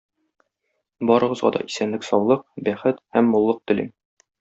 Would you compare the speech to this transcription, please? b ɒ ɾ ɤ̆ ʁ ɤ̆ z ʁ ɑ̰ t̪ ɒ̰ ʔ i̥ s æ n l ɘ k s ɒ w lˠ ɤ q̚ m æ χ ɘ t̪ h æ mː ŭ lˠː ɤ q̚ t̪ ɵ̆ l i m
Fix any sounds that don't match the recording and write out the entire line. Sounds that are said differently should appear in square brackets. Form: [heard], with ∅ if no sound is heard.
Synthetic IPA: b ɒ ɾ ɤ̆ ʁ ɤ̆ z ʁ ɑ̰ [d̪] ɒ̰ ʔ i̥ s æ n l ɘ k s ɒ w lˠ ɤ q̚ [b] æ χ ɘ t̪ h æ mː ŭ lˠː ɤ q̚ t̪ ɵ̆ l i m